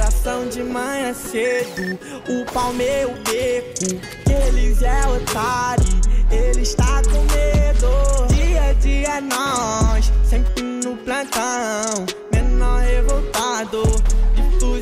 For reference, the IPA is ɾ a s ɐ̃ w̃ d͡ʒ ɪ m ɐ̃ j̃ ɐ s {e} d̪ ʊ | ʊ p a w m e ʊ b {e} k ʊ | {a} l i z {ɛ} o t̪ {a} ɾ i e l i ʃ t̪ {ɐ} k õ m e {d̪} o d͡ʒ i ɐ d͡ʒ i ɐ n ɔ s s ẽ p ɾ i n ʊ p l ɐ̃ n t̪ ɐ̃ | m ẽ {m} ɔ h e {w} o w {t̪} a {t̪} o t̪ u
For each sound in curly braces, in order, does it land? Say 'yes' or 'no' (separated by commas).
yes, yes, no, yes, yes, no, yes, no, no, yes, no